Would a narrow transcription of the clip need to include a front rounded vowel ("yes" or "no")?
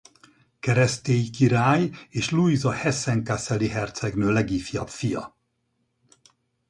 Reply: yes